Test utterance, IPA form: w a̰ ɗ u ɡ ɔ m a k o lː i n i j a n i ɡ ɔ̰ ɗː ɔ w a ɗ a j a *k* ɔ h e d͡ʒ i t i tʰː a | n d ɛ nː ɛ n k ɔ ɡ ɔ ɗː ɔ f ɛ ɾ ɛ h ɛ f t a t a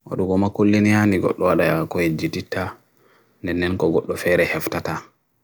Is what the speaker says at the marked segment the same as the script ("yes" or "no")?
yes